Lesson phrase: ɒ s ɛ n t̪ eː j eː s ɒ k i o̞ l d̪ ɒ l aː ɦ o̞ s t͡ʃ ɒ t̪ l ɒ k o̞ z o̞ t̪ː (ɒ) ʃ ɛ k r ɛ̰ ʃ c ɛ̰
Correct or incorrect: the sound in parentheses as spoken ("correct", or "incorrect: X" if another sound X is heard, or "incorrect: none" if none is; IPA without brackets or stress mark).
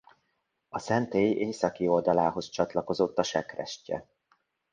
correct